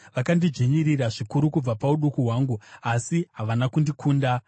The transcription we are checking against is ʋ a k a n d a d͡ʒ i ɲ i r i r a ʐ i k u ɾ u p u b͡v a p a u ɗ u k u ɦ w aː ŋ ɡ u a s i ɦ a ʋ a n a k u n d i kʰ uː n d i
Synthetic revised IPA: ʋ a k a n d i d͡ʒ i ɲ i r i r a ʐ i k u ɾ u k u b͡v a p a u ɗ u k u ɦ w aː ŋ ɡ u a s i ɦ a ʋ a n a k u n d i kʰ uː n d a

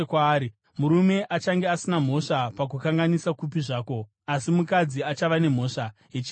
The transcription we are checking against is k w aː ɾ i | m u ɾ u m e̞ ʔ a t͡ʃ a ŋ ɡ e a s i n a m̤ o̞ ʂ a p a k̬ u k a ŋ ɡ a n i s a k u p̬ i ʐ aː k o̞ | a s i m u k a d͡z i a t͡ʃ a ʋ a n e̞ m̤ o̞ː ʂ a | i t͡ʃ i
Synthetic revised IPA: k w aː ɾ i | m u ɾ u m e̞ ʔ a t͡ʃ a ŋ ɡ e a s i n a m̤ o̞ ʂ a p a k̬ u k a ŋ ɡ a n i s a k u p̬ i ʐ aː k o̞ | a s i m u k a d͡z i a t͡ʃ a ʋ a n e̞ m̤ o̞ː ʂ a | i t͡ʃ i

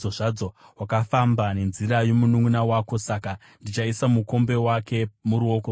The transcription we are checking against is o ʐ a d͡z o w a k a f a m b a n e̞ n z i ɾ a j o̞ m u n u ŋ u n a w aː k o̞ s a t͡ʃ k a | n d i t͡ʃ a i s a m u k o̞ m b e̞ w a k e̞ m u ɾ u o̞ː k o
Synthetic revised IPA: o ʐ a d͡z o w a k a f a m b a n e̞ n z i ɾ a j o̞ m u n u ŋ u n a w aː k o̞ s a k a | n d i t͡ʃ a i s a m u k o̞ m b e̞ w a k e̞ m u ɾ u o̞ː k o

